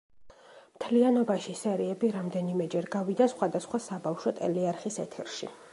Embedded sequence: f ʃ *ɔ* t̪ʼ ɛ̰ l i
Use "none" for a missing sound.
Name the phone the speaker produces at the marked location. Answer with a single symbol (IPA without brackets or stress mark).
ɔ